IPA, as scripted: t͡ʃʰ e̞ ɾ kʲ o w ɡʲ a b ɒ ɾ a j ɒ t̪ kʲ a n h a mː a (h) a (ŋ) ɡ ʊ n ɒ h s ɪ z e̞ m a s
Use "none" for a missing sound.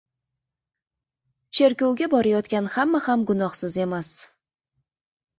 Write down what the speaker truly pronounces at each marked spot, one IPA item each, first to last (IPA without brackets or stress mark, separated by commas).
h, m